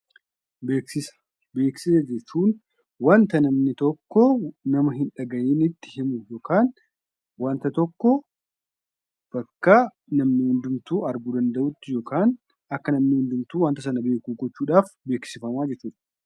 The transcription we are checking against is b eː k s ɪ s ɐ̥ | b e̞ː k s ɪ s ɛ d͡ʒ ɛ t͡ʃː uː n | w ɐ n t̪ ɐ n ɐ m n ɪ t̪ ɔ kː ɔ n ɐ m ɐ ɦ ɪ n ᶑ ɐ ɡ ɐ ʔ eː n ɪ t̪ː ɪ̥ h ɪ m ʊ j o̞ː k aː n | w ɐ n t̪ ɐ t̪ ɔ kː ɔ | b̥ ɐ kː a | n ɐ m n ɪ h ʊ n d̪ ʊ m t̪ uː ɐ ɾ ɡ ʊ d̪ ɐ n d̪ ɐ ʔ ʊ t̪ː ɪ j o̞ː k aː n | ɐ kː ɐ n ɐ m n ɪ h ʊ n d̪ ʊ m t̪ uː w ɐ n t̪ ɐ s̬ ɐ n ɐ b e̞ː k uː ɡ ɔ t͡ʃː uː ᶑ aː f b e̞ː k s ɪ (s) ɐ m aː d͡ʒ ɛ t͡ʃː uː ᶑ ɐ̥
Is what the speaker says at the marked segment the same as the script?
no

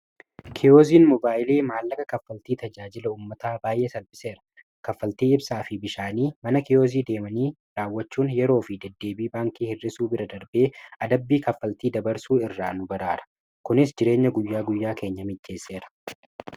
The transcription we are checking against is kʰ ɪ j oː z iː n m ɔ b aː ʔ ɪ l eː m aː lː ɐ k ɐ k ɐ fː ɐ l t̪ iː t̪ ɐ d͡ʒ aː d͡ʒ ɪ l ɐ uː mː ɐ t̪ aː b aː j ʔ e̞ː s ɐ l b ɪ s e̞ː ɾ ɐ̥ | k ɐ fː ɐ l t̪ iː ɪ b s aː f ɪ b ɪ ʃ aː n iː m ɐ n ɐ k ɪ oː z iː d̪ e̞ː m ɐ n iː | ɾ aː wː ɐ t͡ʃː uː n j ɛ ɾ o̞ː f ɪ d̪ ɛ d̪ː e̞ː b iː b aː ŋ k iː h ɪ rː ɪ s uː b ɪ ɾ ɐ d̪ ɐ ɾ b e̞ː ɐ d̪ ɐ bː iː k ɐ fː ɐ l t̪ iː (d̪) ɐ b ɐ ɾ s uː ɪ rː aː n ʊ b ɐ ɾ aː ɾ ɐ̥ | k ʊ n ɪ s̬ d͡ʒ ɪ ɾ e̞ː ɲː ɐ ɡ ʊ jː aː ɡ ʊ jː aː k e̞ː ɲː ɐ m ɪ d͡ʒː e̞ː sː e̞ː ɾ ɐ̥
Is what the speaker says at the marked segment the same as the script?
yes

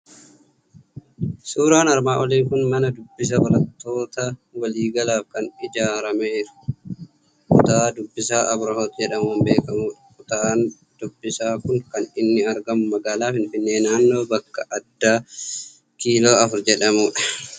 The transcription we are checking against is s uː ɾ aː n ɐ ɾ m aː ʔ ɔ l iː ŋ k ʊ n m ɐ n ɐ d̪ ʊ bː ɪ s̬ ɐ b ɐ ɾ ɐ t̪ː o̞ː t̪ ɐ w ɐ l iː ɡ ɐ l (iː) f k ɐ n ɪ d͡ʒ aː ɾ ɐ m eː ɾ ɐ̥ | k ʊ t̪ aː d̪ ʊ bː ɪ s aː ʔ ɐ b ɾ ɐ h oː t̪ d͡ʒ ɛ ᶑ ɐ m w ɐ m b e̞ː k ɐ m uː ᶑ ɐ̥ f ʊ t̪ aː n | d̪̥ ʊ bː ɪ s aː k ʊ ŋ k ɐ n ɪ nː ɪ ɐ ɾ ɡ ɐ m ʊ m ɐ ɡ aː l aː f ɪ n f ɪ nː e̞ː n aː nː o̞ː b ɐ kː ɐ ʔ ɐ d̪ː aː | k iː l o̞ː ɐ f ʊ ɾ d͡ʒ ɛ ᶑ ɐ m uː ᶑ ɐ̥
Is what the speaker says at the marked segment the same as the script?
no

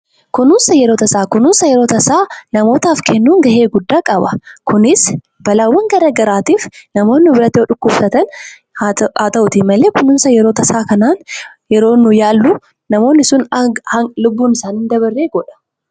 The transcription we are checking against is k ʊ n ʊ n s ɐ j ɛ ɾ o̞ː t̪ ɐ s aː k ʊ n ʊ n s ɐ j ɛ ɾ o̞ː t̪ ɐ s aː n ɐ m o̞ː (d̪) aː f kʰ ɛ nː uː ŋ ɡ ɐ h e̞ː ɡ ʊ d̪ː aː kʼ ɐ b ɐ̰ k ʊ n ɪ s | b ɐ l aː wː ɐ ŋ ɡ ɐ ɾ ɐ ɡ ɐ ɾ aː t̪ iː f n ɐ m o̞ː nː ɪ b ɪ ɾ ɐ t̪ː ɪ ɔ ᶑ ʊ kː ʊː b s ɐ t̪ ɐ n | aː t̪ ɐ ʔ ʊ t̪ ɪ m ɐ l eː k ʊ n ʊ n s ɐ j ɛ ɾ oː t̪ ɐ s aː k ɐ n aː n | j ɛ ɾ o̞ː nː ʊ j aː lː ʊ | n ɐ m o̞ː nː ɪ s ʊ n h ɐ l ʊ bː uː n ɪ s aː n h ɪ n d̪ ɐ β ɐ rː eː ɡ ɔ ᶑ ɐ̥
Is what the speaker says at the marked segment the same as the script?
no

